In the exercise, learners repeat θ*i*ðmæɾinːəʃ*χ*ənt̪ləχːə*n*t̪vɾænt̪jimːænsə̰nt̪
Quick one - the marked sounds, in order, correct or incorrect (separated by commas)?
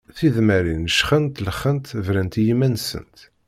correct, correct, correct